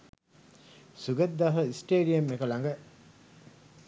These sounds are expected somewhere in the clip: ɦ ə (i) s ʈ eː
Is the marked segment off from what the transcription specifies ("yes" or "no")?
no